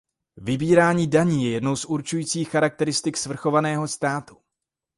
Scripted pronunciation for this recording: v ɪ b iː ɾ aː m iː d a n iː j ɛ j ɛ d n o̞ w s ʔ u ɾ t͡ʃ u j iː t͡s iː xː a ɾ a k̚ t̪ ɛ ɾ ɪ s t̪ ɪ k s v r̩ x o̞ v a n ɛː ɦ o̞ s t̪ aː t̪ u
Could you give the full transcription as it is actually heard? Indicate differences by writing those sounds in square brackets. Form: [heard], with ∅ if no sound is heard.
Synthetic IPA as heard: v ɪ b iː ɾ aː [ɲ] iː d a [ɲ] iː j ɛ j ɛ d n o̞ w s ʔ u ɾ t͡ʃ u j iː t͡s iː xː a ɾ a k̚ t̪ ɛ ɾ ɪ s t̪ ɪ k s v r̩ x o̞ v a n ɛː ɦ o̞ s t̪ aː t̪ u